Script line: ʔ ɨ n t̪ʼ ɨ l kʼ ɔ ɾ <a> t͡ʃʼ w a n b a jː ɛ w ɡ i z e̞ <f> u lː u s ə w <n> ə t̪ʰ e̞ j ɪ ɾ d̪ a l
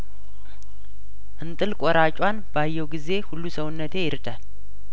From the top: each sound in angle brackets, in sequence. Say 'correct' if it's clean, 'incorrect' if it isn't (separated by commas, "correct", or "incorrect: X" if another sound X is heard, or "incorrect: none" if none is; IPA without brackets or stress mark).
correct, incorrect: h, incorrect: nː